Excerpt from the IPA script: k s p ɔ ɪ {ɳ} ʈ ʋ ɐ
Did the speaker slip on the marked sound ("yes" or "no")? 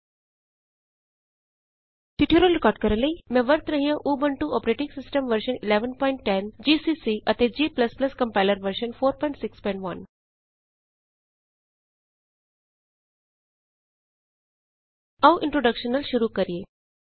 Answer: no